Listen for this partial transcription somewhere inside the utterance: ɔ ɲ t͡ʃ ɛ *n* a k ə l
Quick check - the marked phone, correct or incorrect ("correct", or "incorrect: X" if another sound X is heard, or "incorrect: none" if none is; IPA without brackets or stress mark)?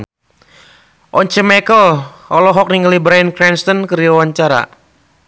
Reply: incorrect: m